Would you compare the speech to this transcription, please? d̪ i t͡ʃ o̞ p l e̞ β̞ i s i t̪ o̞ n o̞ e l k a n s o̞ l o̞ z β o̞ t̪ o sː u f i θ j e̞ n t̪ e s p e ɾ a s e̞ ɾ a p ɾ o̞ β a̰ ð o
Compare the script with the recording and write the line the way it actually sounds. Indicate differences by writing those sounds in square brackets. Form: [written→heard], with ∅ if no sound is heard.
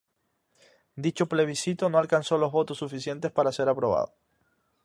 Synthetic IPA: d̪ i t͡ʃ o̞ p l e̞ β̞ i s i t̪ o̞ n o̞ [e→a] l k a n s o̞ l o̞ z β o̞ t̪ o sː u f i [θ→s] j e̞ n t̪ e s p [e→a] ɾ a s e̞ ɾ a p ɾ o̞ β a̰ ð o